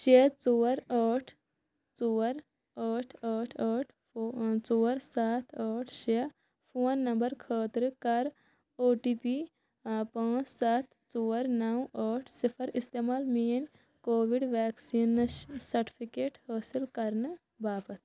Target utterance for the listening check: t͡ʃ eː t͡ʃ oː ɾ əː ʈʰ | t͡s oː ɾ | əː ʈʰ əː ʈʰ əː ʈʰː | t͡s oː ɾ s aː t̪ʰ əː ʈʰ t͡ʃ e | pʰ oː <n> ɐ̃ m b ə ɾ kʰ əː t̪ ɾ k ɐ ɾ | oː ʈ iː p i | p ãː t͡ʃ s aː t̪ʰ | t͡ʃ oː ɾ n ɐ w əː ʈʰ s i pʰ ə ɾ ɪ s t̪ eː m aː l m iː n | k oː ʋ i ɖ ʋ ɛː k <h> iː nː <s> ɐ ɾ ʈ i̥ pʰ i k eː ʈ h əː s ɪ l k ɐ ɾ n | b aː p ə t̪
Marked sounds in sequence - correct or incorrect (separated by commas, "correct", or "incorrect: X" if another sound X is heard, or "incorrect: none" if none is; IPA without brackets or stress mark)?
incorrect: nː, incorrect: s, correct